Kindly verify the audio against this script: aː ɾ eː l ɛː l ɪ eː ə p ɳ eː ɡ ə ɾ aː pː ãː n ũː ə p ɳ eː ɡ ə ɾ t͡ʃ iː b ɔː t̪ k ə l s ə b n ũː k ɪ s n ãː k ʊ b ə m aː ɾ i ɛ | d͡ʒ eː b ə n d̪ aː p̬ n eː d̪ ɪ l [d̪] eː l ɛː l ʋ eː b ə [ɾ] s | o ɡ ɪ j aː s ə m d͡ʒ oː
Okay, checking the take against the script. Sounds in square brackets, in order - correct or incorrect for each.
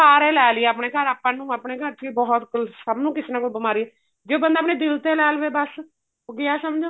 incorrect: t̪, incorrect: none

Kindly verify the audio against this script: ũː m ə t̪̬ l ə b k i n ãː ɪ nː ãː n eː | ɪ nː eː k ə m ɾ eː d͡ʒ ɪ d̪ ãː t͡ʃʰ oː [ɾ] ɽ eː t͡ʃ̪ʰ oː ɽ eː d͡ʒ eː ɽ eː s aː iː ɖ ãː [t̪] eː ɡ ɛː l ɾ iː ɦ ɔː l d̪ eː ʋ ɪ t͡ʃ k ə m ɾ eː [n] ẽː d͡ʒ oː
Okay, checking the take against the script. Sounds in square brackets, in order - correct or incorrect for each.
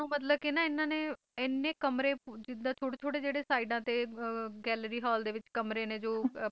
incorrect: none, correct, correct

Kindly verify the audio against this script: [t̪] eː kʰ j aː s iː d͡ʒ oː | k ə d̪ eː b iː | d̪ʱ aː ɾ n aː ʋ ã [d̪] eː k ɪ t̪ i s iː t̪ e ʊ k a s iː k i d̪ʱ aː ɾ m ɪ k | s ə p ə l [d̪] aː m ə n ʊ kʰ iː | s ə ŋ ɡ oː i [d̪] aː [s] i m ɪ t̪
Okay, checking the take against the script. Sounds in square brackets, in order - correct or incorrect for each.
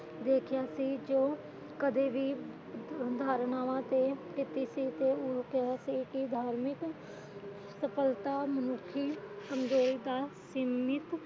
incorrect: d̪, incorrect: t̪, incorrect: t̪, correct, correct

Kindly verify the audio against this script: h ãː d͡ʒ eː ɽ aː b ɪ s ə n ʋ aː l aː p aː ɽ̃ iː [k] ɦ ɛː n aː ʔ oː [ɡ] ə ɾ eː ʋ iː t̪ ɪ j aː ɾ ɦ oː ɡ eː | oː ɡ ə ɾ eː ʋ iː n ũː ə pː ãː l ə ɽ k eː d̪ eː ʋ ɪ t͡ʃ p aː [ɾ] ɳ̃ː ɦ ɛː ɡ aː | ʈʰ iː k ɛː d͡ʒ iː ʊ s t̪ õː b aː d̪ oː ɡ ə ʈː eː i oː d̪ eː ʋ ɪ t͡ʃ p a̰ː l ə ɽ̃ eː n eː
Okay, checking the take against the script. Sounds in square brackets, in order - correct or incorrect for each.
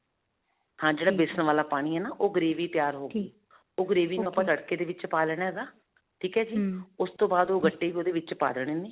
incorrect: none, correct, incorrect: l

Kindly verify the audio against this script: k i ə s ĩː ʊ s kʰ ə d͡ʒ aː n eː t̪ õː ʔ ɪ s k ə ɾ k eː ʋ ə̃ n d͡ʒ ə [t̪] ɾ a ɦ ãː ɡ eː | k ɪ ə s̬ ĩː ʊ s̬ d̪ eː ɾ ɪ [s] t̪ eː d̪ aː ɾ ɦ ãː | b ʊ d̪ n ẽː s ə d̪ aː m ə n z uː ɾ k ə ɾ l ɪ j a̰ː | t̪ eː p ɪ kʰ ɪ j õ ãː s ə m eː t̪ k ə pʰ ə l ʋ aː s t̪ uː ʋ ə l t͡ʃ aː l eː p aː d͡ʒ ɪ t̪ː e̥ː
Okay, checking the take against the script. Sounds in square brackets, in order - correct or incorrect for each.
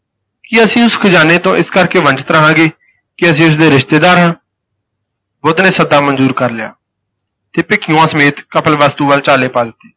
correct, incorrect: ʃ

